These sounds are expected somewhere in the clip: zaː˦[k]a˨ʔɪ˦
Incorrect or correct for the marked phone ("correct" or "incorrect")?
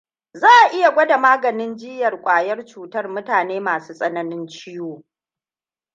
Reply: incorrect